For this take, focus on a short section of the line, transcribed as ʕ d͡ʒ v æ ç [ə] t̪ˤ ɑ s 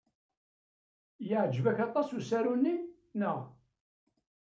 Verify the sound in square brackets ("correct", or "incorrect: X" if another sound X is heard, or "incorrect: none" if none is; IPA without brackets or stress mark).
incorrect: ɑ